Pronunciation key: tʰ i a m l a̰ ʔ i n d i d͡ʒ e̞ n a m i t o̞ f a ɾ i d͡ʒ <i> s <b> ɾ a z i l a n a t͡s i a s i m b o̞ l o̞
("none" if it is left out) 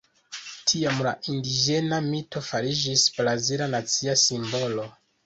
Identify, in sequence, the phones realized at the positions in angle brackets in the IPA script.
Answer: i, b

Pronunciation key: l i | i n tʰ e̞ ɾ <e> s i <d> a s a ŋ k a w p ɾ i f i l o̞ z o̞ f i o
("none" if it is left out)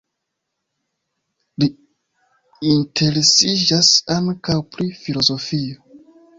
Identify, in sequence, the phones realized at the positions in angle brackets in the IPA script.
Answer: e, d͡ʒ

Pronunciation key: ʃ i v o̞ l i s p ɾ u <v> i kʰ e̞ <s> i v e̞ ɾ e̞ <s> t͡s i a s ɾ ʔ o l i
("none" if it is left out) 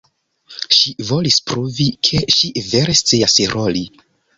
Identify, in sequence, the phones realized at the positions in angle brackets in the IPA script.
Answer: v, ʃ, s

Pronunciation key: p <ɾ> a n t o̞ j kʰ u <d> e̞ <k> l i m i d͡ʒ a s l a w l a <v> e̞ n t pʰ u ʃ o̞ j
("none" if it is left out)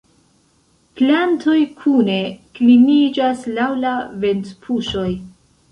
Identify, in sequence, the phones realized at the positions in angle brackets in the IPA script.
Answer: l, n, k, v

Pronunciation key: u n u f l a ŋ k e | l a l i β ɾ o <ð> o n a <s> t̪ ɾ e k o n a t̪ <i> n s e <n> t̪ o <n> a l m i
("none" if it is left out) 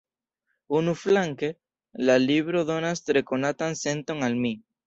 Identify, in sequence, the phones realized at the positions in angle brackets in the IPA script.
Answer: ð, s, a, n, ŋ

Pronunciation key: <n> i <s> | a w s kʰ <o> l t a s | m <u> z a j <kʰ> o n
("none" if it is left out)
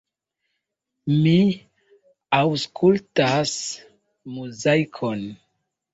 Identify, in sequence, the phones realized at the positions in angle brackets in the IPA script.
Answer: m, none, u, u, kʰ

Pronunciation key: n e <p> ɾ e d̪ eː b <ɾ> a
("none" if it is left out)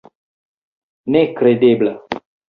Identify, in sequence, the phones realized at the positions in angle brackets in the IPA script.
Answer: k, l

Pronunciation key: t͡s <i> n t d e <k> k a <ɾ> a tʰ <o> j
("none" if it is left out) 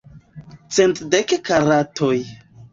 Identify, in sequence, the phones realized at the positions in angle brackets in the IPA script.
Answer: e, k, ɾ, o

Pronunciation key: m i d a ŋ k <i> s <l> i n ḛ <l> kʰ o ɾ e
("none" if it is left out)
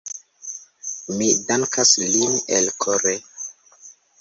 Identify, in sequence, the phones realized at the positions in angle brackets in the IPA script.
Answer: a, l, l

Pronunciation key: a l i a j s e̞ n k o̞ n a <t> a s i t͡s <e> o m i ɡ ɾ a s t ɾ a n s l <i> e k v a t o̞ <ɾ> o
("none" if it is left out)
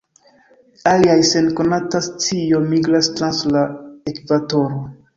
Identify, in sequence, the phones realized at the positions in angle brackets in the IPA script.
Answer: t, i, a, ɾ

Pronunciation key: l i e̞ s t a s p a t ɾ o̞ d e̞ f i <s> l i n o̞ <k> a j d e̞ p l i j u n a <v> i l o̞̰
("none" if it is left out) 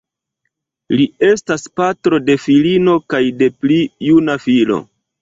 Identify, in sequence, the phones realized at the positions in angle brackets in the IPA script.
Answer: none, k, f

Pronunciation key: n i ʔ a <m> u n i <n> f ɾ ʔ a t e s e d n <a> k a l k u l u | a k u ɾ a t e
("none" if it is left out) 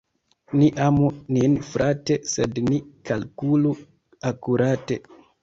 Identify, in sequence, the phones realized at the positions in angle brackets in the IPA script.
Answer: m, n, i

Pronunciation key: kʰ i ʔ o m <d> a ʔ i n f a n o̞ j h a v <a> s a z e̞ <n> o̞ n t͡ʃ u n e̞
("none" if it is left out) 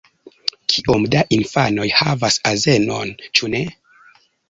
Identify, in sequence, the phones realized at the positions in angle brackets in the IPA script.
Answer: d, a, n

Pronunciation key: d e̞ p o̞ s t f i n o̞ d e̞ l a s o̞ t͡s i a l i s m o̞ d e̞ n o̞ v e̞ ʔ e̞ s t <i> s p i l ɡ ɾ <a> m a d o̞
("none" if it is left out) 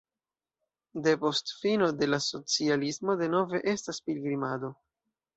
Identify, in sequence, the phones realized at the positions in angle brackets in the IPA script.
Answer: a, i

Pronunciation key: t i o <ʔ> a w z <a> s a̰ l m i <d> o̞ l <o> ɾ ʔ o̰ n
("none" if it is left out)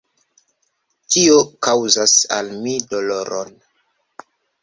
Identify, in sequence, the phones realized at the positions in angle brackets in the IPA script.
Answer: k, a, d, o

